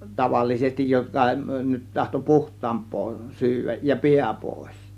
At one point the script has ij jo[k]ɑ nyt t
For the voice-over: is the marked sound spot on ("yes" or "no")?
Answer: yes